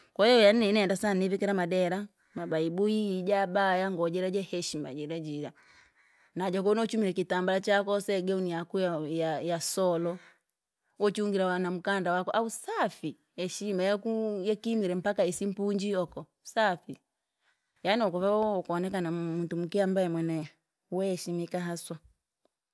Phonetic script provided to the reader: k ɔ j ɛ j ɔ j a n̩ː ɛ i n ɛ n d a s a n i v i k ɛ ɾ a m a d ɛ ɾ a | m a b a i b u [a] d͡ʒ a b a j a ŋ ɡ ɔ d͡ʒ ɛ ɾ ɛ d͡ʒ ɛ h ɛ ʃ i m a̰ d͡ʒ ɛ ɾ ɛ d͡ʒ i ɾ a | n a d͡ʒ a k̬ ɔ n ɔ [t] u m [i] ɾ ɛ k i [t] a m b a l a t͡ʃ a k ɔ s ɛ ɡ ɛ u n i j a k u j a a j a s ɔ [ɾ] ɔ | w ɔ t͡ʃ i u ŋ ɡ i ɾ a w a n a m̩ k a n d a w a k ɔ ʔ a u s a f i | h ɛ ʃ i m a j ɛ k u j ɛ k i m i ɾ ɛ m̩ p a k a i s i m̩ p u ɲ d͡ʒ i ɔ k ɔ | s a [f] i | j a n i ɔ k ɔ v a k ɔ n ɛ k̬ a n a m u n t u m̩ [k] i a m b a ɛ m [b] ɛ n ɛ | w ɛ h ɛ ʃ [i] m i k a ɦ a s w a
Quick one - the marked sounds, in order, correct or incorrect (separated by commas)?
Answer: incorrect, incorrect, correct, correct, incorrect, correct, correct, incorrect, correct